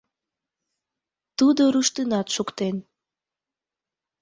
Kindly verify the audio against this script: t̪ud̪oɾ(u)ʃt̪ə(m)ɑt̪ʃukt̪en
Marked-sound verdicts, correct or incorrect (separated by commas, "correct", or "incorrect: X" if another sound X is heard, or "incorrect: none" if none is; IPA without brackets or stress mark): correct, incorrect: n